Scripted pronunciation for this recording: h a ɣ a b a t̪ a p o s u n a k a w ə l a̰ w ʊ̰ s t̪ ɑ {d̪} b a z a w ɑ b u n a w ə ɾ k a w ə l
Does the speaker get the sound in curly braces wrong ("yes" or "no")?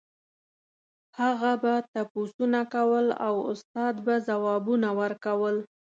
no